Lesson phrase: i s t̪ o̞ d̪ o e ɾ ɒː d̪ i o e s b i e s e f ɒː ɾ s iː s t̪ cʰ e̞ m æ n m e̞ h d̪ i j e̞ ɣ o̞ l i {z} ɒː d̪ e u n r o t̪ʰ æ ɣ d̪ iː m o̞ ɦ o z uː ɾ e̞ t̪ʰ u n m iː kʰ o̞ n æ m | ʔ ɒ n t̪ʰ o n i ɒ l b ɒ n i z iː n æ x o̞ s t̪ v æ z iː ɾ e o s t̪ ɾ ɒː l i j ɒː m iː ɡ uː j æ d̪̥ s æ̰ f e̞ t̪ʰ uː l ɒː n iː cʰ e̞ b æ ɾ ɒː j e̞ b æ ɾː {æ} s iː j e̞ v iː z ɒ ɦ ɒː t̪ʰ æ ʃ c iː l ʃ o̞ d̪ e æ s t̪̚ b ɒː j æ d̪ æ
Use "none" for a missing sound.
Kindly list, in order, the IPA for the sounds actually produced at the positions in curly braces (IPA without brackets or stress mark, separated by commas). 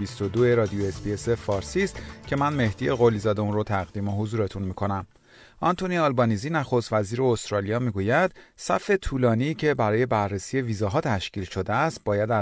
z, e